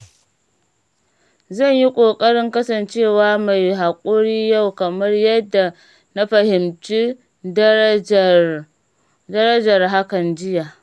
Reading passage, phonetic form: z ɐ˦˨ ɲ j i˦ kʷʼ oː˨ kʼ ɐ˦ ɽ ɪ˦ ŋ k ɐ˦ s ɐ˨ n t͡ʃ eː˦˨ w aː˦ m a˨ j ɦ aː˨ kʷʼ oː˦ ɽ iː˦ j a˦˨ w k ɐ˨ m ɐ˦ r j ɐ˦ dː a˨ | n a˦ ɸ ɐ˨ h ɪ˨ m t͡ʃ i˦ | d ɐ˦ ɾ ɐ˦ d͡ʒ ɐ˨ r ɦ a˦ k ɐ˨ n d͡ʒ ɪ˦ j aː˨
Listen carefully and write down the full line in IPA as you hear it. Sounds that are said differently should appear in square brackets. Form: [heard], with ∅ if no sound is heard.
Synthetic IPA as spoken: z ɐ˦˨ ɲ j i˦ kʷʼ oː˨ kʼ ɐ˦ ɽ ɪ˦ ŋ k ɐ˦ s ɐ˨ n t͡ʃ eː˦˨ w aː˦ m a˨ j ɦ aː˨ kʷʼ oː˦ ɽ iː˦ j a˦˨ w k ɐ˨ m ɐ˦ r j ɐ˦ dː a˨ | n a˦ ɸ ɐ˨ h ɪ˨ m t͡ʃ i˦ | d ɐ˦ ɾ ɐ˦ d͡ʒ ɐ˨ r ɦ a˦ k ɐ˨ n d͡ʒ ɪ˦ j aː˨